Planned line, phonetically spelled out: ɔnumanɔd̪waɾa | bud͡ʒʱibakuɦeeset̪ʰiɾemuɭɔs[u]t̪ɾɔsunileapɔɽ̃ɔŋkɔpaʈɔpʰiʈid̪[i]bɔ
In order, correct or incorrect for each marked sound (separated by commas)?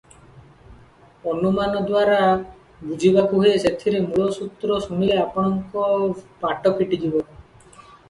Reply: correct, correct